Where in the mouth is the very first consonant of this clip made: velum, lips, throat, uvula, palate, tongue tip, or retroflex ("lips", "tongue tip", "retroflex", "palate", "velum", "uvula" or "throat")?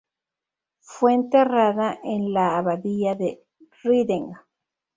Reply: lips